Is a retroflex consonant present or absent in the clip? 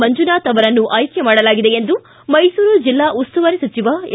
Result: present